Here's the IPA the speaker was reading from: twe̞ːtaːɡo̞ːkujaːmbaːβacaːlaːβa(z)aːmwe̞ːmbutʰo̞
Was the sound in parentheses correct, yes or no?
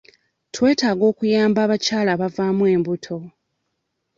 no